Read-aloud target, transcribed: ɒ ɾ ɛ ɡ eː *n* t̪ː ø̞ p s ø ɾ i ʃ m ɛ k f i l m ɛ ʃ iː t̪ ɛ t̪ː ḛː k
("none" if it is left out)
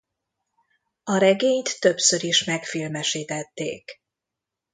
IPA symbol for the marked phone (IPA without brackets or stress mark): ɲ